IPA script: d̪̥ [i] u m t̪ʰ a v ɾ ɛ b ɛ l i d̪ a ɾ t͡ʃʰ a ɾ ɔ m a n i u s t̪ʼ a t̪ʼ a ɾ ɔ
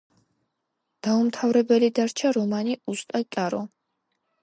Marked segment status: incorrect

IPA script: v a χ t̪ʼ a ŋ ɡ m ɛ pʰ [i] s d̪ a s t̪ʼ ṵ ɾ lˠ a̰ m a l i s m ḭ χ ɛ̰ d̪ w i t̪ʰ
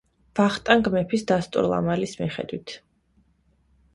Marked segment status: correct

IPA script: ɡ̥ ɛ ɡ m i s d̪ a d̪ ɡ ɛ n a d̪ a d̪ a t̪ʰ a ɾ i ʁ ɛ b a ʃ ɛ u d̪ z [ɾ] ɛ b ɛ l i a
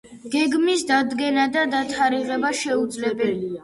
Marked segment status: incorrect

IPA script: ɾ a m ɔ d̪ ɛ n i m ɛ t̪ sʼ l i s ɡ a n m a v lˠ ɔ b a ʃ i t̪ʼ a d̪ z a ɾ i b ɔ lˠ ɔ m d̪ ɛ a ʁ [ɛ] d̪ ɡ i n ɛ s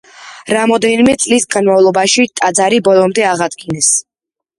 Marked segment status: incorrect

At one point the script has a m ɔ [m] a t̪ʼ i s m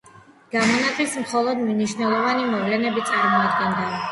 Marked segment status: incorrect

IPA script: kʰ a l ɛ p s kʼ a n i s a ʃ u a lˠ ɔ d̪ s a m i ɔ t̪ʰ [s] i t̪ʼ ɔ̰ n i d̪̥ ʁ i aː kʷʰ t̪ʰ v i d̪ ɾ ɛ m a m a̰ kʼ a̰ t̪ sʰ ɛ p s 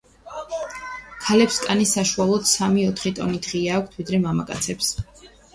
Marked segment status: incorrect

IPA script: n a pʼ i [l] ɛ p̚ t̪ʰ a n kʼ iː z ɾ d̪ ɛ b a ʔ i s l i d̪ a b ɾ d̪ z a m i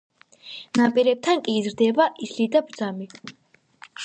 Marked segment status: incorrect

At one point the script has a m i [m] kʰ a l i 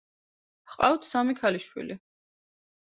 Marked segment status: incorrect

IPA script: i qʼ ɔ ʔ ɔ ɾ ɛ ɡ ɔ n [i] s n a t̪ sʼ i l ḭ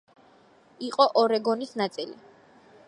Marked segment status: correct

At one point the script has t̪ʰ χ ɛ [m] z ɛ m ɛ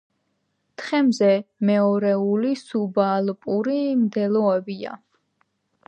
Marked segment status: correct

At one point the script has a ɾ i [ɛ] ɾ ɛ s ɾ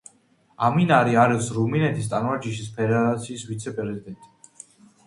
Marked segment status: incorrect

